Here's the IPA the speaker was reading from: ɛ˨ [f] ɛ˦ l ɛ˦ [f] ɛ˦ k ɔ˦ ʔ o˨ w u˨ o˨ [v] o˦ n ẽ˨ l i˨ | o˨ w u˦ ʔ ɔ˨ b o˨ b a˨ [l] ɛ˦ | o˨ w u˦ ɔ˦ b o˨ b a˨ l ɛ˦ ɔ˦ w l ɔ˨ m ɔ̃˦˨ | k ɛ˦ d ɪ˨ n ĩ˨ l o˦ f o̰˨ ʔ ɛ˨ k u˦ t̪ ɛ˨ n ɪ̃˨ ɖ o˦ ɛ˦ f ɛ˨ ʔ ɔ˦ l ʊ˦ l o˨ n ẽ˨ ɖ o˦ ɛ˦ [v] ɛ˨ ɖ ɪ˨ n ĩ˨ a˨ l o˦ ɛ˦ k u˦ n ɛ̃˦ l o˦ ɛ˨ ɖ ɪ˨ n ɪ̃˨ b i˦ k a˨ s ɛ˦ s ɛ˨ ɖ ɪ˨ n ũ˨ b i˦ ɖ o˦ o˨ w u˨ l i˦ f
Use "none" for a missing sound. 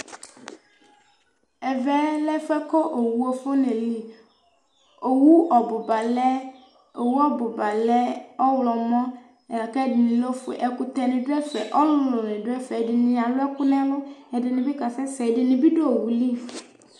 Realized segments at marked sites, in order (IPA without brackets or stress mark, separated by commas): v, f, f, l, f